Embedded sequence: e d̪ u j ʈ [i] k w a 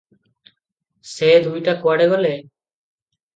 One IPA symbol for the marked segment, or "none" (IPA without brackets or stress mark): a